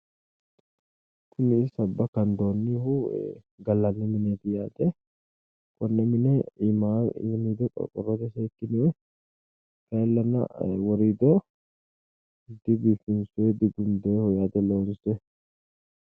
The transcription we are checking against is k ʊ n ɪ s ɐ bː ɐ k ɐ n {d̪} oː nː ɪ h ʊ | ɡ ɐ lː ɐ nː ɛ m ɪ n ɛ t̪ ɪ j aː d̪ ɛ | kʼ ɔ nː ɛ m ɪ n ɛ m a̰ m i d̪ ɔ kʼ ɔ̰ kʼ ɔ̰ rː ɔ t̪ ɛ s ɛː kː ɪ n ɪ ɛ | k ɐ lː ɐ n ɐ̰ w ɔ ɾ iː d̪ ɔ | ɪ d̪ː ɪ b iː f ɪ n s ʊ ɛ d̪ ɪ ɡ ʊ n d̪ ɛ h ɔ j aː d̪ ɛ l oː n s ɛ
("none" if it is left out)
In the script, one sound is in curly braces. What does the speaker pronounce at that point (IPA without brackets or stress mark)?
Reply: d̪